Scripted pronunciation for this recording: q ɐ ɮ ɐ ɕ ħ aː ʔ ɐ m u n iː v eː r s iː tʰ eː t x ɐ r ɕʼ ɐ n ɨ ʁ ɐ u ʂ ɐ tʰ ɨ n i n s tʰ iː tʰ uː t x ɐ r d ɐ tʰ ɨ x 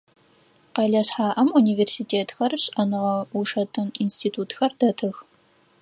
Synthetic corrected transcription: q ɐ ɮ ɐ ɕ ħ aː ʔ ɐ m u n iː v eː r s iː tʰ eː t x ɐ r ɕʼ ɐ n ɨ ʁ ɐ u ʂ ɐ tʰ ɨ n i n s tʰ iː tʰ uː t x ɐ r d ɐ tʰ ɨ x

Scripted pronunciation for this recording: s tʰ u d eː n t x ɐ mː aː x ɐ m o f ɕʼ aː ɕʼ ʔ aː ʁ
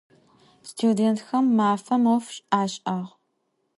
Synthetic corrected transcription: s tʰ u d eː n t x ɐ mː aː f ɐ m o f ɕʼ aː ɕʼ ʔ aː ʁ

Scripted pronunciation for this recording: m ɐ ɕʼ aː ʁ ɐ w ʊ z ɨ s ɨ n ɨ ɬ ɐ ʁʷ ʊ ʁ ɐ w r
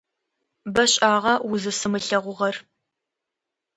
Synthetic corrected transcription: b ɐ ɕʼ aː ʁ ɐ w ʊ z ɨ s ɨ m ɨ ɬ ɐ ʁʷ ʊ ʁ ɐ r

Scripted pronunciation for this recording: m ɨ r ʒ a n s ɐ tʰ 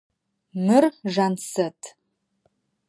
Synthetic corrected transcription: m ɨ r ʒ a n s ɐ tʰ

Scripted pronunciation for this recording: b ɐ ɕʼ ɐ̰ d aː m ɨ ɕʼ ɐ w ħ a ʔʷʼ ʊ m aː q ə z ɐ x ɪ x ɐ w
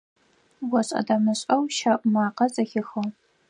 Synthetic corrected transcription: w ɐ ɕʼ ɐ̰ d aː m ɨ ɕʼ ɐ w ʃ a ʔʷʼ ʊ m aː q ɐ z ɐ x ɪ x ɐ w

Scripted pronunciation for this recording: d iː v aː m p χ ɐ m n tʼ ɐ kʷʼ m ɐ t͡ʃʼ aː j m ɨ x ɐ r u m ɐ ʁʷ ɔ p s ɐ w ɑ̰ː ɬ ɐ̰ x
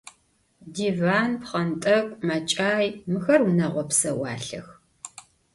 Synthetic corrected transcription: d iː v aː n p χ ɐ n tʼ ɐ kʷʼ m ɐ t͡ʃʼ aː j m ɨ x ɐ r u n ɐ ʁʷ ɔ p s ɐ w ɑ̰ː ɬ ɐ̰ x

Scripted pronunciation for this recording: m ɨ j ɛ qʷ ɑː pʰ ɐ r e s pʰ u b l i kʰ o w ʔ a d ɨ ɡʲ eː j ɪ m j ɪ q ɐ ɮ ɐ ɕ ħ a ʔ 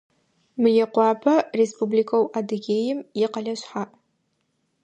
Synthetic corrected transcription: m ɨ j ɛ qʷ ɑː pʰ ɐ r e s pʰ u b l i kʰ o w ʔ a d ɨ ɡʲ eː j ɪ m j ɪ q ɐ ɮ ɐ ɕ ħ a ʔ

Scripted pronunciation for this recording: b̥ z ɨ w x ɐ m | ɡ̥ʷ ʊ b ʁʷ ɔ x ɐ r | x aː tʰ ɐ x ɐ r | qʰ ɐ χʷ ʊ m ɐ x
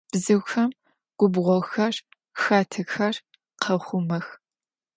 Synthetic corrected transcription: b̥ z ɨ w x ɐ m | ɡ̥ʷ ʊ b ʁʷ ɔ x ɐ r | x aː tʰ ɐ x ɐ r | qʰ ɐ χʷ ʊ m ɐ x

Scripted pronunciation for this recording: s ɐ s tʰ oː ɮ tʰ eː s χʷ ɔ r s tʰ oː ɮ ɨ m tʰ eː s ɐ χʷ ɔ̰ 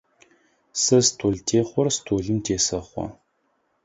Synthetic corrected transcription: s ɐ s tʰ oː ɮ tʰ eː χʷ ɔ r s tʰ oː ɮ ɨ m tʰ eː s ɐ χʷ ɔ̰

